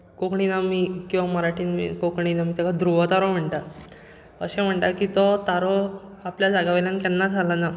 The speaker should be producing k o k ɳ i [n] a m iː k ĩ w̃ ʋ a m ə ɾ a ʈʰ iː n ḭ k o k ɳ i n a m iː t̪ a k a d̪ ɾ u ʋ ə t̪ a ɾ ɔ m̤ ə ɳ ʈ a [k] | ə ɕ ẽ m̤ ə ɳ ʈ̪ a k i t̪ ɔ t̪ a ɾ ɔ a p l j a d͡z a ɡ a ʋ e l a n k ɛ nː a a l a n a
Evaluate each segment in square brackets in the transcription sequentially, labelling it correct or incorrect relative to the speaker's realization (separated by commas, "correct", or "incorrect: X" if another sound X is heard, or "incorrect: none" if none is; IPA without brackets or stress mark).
correct, incorrect: none